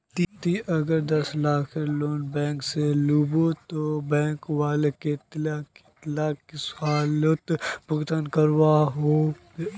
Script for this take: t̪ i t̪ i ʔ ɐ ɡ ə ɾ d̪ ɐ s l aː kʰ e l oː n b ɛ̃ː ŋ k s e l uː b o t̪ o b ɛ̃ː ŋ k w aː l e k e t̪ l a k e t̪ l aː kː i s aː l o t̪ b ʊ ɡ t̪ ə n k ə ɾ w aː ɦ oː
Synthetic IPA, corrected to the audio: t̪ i t̪ i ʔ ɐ ɡ ə ɾ d̪ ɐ s l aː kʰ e l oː n b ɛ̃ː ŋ k s e l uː b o t̪ o b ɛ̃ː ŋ k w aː l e k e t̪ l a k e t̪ l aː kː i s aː l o t̪ b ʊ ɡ t̪ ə n k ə ɾ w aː ɦ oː